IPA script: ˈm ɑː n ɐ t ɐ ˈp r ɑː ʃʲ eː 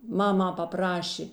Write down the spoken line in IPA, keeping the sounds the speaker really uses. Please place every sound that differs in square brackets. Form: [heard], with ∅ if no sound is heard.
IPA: ˈm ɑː [m] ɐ [p] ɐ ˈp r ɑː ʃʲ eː